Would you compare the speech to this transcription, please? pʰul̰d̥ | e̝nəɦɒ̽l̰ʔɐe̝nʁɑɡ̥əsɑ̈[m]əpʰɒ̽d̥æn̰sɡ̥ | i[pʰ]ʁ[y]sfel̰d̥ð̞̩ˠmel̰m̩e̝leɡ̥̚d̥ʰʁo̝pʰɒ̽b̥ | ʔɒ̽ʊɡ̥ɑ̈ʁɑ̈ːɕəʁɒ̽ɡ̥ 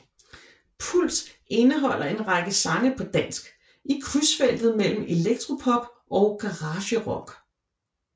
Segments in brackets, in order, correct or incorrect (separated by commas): incorrect, incorrect, correct